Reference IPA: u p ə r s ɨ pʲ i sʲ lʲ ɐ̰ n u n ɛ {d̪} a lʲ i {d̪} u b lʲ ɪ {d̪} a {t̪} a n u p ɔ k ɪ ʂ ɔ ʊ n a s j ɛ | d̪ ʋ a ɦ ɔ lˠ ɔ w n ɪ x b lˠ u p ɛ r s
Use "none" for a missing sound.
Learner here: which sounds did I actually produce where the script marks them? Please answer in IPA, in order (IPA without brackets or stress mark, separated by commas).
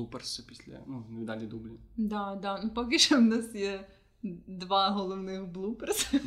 d̪, d̪, d̪, d̪